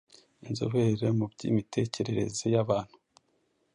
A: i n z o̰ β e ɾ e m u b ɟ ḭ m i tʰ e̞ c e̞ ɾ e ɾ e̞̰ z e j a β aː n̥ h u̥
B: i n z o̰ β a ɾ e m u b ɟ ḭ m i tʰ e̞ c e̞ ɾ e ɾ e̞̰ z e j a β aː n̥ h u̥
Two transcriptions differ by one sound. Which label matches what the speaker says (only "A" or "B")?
A